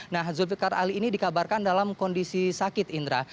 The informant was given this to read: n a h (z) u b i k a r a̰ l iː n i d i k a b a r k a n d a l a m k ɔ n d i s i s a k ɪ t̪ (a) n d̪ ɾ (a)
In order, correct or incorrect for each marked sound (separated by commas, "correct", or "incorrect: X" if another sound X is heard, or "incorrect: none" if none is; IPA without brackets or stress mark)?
correct, incorrect: i, correct